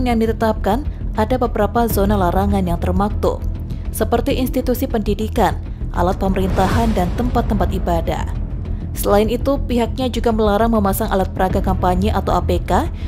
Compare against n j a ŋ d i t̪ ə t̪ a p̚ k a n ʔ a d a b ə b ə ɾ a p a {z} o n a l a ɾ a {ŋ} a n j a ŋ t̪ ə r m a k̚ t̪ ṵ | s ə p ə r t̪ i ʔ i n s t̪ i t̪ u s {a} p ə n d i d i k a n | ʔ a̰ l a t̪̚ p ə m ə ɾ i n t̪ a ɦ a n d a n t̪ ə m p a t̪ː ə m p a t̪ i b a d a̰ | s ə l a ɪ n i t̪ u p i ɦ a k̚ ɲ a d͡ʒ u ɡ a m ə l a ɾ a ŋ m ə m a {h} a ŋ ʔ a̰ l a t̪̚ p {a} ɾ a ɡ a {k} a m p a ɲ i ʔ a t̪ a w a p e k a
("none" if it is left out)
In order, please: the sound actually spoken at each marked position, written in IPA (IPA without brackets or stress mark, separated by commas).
z, ŋ, i, s, ə, k